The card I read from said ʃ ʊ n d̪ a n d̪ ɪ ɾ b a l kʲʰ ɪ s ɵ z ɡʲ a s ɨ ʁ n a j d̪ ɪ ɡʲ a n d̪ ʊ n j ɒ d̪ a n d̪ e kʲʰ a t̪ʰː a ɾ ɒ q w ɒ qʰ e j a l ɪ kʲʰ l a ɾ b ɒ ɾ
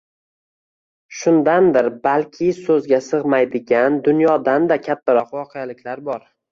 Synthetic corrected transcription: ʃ ʊ n d̪ a n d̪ ɪ ɾ b a l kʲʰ ɪ s ɵ z ɡʲ a s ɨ ʁ m a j d̪ ɪ ɡʲ a n d̪ ʊ n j ɒ d̪ a n d̪ a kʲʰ a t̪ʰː a ɾ ɒ q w ɒ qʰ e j a l ɪ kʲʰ l a ɾ b ɒ ɾ

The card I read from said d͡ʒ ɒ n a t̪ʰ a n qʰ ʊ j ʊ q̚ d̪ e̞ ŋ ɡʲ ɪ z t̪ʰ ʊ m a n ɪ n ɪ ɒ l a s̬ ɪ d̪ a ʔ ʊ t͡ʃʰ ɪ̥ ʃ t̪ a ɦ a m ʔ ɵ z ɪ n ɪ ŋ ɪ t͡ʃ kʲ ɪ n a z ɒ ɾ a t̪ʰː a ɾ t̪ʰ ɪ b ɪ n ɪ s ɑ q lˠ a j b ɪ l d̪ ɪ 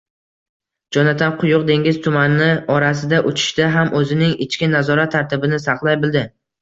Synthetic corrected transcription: d͡ʒ ɒ n a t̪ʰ a n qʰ ʊ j ʊ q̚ d̪ e̞ ŋ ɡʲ ɪ z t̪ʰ ʊ m a n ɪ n ɪ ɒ ɾ a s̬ ɪ d̪ a ʔ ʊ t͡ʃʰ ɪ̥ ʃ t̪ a ɦ a m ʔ ɵ z ɪ n ɪ ŋ ɪ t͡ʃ kʲ ɪ n a z ɒ ɾ a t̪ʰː a ɾ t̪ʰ ɪ b ɪ n ɪ s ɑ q lˠ a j b ɪ l d̪ ɪ

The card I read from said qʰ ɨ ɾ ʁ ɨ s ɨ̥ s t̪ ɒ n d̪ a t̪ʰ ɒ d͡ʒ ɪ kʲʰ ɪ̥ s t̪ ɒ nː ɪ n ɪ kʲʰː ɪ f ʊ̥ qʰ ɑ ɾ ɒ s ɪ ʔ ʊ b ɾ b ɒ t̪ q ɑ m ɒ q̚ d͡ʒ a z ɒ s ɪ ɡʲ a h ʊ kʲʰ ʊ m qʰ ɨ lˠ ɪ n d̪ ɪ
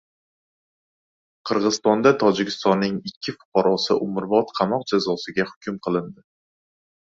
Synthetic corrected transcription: qʰ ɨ ɾ ʁ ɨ z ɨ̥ s t̪ ɒ n d̪ a t̪ʰ ɒ d͡ʒ ɪ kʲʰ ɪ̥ s t̪ ɒ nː ɪ ŋ ɪ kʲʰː ɪ f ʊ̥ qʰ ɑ ɾ ɒ s ɪ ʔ ʊ m ɾ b ɒ t̪ qʰ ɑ m ɒ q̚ d͡ʒ a z ɒ s ɪ ɡʲ a h ʊ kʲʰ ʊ m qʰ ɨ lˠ ɪ n d̪ ɪ

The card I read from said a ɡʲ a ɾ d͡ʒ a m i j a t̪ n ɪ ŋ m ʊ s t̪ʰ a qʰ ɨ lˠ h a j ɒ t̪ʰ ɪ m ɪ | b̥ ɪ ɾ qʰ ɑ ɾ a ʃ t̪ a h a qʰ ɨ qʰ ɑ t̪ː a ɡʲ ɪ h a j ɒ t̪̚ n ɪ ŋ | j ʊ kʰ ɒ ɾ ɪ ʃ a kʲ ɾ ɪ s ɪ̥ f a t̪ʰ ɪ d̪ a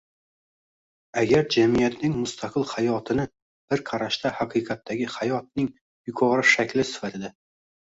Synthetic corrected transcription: a ɡʲ a ɾ d͡ʒ a m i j a t̪ n ɪ ŋ m ʊ s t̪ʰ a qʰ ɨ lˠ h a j ɒ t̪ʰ ɪ n ɪ | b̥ ɪ ɾ qʰ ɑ ɾ a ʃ t̪ a h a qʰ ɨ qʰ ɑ t̪ː a ɡʲ ɪ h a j ɒ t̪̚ n ɪ ŋ | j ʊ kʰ ɒ ɾ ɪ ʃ a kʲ l ɪ s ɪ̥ f a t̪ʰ ɪ d̪ a

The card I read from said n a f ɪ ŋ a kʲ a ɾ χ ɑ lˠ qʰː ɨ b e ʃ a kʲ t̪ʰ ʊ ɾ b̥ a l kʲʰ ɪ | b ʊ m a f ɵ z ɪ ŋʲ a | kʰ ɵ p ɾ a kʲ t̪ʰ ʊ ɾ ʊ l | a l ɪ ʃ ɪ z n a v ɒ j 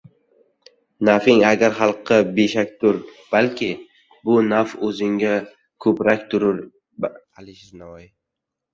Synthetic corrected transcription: n a f ɪ ŋ a ɡʲ a ɾ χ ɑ lˠ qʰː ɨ b e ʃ a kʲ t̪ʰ ʊ ɾ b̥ a l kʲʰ ɪ | b ʊ n a f ɵ z ɪ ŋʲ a | kʰ ɵ p ɾ a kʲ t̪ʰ ʊ ɾ ʊ ɾ | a l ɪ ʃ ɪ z n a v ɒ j

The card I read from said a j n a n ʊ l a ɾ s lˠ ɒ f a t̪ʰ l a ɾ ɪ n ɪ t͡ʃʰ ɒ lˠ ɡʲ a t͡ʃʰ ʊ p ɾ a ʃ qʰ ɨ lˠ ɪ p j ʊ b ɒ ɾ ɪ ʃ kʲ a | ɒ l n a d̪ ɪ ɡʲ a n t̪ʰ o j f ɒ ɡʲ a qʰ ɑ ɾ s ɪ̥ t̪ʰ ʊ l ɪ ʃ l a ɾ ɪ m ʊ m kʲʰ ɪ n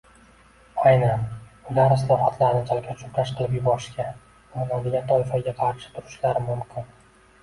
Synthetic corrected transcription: a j n a n ʊ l a ɾ s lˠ ɒ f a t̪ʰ l a ɾ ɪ n ɪ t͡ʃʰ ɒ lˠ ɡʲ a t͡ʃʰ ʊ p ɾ a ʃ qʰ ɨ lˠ ɪ p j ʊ b ɒ ɾ ɪ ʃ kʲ a | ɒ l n a d̪ ɪ ɡʲ a n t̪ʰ ɒ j f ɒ ɡʲ a qʰ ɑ ɾ ʃ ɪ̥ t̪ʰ ʊ ɾ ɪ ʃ l a ɾ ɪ m ʊ m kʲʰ ɪ n

